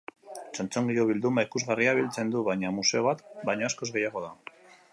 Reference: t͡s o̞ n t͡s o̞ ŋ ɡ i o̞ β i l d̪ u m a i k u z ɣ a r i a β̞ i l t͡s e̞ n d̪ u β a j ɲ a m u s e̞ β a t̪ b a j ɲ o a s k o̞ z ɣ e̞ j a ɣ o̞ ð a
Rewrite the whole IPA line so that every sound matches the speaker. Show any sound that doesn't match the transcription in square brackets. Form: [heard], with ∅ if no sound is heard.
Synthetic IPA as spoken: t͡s o̞ n t͡s o̞ ŋ ɡ i o̞ β i l d̪ u m a i k u z ɣ a r i a β̞ i l t͡s e̞ n d̪ u β a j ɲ a m u s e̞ β a t̪ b a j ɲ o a s k o̞ z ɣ e̞ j a ɣ o̞ ð a